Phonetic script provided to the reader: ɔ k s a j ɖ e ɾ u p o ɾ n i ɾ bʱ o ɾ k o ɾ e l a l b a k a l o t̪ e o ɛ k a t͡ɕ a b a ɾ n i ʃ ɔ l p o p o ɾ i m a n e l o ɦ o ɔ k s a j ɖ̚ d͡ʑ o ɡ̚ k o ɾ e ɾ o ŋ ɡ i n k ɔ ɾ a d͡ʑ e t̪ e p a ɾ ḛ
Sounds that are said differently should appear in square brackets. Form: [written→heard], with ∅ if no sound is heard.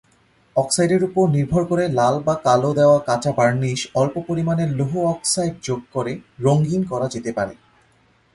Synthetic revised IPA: ɔ k s a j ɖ e ɾ u p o ɾ n i ɾ bʱ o ɾ k o ɾ e l a l b a k a l o [t̪→d̪] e o [ɛ→a] k a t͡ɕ a b a ɾ n i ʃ ɔ l p o p o ɾ i m a n e l o ɦ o ɔ k s a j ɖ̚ d͡ʑ o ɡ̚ k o ɾ e ɾ o ŋ ɡ i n k ɔ ɾ a d͡ʑ e t̪ e p a ɾ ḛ

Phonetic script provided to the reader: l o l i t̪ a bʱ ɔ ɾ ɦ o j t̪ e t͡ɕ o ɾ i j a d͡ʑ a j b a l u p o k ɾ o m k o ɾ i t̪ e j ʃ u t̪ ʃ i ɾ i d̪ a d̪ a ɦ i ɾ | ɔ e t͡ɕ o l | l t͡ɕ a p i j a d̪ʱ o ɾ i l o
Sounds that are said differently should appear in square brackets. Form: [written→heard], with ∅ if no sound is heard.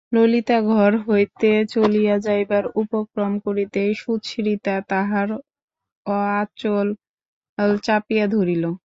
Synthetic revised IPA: l o l i t̪ a [bʱ→ɡʱ] ɔ ɾ ɦ o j t̪ e t͡ɕ o [ɾ→l] i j a d͡ʑ a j b a [l→ɾ] u p o k ɾ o m k o ɾ i t̪ e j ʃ u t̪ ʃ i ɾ i [d̪→t̪] a [d̪→t̪] a ɦ [i→a] ɾ | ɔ [e→a] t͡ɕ o l | l t͡ɕ a p i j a d̪ʱ o ɾ i l o

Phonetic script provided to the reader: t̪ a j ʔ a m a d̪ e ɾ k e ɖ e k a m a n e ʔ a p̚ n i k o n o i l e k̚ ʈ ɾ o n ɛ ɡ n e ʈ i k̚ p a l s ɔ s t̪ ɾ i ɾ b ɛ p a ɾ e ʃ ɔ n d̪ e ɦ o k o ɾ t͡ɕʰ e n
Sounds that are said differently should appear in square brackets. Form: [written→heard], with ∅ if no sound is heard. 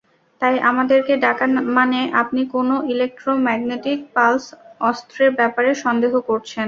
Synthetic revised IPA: t̪ a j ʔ a m a d̪ e ɾ k e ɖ [e→a] k a m a n e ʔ a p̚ n i k o n o i l e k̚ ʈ ɾ o [n→m] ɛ ɡ n e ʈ i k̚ p a l s ɔ s t̪ ɾ [i→e] ɾ b ɛ p a ɾ e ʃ ɔ n d̪ e ɦ o k o ɾ t͡ɕʰ e n

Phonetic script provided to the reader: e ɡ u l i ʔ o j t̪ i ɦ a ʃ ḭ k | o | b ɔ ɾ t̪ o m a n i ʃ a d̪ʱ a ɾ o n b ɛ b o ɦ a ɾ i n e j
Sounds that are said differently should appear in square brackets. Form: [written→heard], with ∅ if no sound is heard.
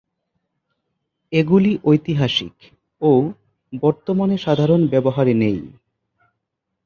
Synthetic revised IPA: e ɡ u l i ʔ o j t̪ i ɦ a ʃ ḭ k | o | b ɔ ɾ t̪ o m a n [i→e] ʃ a d̪ʱ a ɾ o n b ɛ b o ɦ a ɾ [i→e] n e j

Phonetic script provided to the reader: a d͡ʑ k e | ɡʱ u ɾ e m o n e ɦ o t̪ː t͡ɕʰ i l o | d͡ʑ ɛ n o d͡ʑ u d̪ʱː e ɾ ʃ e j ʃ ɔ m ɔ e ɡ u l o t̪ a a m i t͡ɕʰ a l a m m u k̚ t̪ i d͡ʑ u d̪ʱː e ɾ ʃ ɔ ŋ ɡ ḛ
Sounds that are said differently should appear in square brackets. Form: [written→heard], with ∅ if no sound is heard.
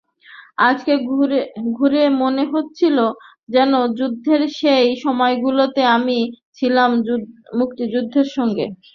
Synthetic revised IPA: a d͡ʑ k e | ɡʱ u ɾ e m o n e ɦ o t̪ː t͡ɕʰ i l o | d͡ʑ ɛ n o d͡ʑ u d̪ʱː e ɾ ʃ e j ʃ ɔ m ɔ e ɡ u l o t̪ [a→e] a m i t͡ɕʰ [a→i] l a m m u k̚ t̪ i d͡ʑ u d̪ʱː e ɾ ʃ ɔ ŋ ɡ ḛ

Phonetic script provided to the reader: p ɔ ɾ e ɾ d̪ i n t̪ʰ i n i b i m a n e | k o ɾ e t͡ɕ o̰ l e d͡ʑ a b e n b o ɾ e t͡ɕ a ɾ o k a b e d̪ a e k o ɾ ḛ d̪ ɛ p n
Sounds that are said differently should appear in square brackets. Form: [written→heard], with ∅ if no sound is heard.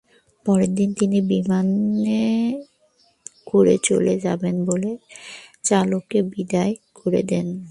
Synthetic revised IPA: p ɔ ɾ e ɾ d̪ i n [t̪ʰ→t̪] i n i b i m a n e | k o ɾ e t͡ɕ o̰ l e d͡ʑ a b e n b o [ɾ→l] e t͡ɕ a [ɾ→l] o k [a→e] b [e→i] d̪ a e k o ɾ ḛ d̪ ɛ [p→∅] n

